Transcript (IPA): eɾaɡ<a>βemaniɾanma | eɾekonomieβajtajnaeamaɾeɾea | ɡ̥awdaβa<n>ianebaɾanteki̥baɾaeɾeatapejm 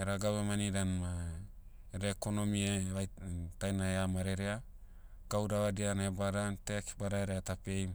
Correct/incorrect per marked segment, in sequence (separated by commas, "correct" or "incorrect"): correct, incorrect